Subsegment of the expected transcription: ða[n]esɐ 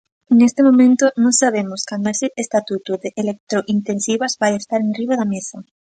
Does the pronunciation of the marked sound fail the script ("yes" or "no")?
yes